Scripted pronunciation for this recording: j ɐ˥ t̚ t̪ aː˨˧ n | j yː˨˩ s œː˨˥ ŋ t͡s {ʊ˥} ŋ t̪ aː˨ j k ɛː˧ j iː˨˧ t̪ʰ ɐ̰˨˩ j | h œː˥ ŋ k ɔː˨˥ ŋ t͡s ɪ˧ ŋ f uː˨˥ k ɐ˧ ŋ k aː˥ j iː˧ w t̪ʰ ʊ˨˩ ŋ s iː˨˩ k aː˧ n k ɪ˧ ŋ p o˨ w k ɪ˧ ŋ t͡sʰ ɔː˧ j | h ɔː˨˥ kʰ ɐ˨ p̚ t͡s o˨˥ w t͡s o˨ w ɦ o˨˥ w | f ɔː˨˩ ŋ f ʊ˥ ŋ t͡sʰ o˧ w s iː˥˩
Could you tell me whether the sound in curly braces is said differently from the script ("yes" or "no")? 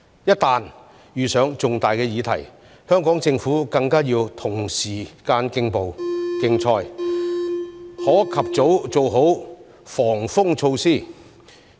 yes